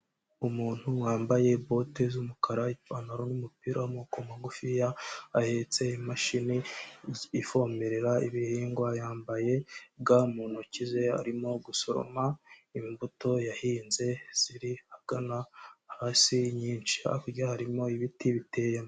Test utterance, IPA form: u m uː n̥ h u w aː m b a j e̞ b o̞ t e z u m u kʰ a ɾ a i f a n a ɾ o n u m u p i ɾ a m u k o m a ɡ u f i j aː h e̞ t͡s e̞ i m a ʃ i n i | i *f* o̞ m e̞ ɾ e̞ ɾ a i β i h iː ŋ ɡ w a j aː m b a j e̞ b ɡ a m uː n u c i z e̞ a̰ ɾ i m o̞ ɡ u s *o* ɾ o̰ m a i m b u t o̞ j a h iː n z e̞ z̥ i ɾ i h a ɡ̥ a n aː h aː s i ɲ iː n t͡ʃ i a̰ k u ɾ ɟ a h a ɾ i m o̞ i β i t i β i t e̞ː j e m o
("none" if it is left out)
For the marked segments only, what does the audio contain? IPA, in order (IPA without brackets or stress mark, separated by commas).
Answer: f, o